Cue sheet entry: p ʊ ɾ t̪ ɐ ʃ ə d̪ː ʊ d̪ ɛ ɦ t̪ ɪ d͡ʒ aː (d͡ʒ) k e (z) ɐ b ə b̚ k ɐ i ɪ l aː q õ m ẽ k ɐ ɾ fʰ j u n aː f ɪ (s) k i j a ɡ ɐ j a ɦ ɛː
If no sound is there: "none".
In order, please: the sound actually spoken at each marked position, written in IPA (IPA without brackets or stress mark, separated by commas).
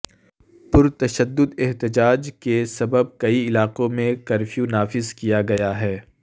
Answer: d͡ʒ, s, z